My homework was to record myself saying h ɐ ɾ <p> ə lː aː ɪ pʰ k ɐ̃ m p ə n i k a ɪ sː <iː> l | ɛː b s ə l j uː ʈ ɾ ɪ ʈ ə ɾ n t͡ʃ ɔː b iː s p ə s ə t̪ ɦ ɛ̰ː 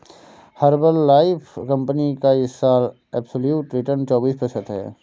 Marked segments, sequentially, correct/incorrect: incorrect, incorrect

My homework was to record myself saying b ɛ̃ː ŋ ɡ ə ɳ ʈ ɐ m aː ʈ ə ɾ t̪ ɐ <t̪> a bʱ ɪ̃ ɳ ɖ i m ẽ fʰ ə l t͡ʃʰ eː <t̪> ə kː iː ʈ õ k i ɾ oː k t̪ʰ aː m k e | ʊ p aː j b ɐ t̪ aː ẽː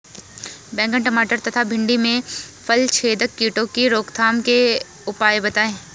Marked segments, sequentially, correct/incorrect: incorrect, incorrect

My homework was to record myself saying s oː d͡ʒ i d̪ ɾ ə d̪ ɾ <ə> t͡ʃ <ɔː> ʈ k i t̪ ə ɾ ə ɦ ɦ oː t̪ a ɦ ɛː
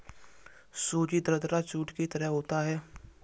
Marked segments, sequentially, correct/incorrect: incorrect, incorrect

